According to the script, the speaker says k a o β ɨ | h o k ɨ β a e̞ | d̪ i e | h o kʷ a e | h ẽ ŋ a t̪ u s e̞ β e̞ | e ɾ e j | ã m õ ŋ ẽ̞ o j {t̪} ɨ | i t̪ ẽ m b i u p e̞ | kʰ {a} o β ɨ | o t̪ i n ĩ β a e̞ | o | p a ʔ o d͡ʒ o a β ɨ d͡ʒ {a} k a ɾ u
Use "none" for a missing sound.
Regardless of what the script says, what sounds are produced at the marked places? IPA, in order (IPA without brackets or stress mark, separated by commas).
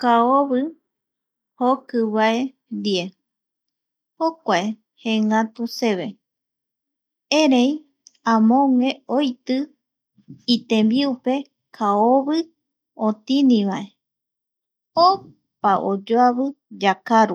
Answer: t̪, a, a